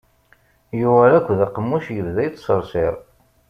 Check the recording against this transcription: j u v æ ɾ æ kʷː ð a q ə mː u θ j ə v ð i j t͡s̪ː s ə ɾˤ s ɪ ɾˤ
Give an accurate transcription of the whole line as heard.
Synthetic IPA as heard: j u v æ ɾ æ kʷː ð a q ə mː u ʃ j ə v ð æ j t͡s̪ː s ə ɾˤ s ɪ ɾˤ